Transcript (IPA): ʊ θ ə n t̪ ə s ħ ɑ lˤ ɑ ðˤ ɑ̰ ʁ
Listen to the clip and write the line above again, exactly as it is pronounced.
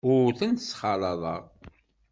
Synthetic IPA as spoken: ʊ θ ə n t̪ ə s χ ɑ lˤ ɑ ðˤ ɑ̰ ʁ